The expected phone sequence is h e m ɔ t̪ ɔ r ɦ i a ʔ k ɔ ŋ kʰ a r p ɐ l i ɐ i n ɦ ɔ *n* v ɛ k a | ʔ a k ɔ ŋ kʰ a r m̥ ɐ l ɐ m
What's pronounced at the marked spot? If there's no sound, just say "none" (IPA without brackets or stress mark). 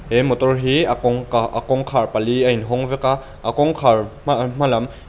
ŋ